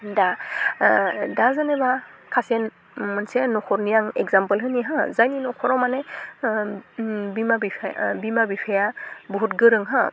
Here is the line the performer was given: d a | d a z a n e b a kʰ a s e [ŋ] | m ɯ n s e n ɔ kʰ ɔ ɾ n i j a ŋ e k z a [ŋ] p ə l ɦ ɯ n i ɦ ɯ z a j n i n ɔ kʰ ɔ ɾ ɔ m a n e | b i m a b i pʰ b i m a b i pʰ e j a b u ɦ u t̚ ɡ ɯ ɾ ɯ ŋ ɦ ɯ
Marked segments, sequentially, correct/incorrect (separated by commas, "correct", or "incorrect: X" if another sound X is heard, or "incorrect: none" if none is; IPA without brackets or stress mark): incorrect: n, incorrect: m